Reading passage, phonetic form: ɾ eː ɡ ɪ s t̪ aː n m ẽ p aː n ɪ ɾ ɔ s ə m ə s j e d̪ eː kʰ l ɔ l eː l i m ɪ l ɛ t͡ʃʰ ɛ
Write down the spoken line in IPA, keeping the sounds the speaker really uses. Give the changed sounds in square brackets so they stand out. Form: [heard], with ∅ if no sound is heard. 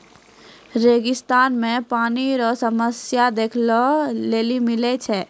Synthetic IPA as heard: ɾ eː ɡ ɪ s t̪ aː n m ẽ p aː n [i] ɾ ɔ s ə m ə s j [a] d̪ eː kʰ l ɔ l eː l i m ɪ l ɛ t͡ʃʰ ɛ